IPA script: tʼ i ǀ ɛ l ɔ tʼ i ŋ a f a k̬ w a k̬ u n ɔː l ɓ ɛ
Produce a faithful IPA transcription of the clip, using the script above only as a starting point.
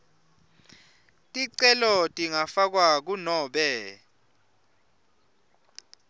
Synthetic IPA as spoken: tʼ i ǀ ɛ l ɔ tʼ i ŋ a f a k̬ w a k̬ u n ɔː ɓ ɛ